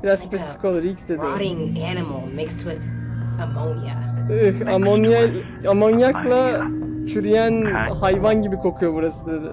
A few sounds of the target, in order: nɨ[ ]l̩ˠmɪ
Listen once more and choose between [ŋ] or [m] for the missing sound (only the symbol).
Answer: m